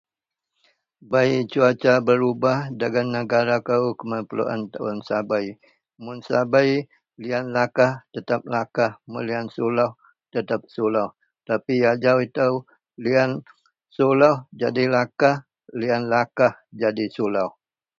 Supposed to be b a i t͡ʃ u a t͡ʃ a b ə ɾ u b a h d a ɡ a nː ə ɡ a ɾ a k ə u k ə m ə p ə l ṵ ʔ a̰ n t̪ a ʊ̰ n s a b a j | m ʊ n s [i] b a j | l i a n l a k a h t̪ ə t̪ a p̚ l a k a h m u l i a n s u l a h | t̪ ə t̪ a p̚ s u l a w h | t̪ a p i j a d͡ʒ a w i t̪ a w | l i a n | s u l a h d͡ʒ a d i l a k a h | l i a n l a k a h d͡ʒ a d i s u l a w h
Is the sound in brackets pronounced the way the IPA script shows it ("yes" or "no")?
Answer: no